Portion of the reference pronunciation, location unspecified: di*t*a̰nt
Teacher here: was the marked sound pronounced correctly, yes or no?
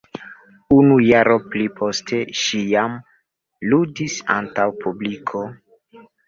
no